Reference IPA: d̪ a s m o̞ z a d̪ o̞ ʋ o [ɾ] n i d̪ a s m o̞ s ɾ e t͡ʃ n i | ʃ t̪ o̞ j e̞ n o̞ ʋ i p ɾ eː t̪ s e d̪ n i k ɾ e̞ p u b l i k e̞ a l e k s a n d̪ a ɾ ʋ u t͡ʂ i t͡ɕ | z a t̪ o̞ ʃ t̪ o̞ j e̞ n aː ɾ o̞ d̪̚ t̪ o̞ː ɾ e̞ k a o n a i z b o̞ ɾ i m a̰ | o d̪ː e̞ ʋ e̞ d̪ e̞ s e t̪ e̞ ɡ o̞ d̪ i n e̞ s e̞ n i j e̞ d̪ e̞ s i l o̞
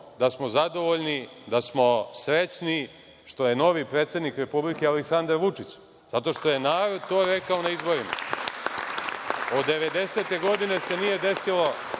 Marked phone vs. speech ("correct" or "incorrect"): incorrect